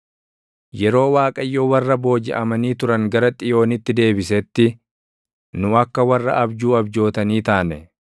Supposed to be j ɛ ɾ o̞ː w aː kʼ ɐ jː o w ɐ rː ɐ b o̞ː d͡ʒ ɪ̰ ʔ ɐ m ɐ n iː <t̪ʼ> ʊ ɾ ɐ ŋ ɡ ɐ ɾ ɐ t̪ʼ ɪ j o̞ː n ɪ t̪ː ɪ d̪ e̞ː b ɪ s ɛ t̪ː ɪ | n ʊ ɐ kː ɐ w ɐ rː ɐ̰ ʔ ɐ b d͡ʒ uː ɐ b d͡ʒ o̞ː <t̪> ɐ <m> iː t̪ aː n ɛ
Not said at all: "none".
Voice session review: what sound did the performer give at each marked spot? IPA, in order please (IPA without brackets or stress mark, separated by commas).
t̪, t̪, n